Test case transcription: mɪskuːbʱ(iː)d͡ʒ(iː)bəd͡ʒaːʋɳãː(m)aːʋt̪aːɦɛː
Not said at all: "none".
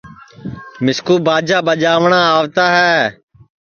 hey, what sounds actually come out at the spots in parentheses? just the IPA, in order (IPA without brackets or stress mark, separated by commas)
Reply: aː, aː, none